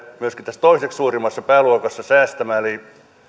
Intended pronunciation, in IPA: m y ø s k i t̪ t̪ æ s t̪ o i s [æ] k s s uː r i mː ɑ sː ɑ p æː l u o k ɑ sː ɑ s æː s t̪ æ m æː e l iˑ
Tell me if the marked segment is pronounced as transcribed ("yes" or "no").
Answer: no